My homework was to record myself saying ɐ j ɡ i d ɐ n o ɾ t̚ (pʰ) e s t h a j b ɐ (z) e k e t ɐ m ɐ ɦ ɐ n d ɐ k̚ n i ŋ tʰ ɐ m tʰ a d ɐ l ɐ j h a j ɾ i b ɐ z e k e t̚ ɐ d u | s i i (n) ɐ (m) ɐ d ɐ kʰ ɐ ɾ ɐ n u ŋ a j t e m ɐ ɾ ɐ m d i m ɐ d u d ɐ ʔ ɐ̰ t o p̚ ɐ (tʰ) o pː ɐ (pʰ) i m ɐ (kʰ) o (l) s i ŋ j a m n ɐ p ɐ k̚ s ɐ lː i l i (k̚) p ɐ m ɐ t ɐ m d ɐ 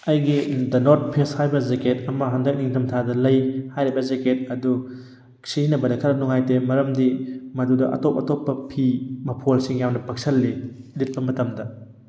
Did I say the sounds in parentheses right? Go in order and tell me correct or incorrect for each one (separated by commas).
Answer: correct, correct, correct, incorrect, incorrect, correct, incorrect, correct, incorrect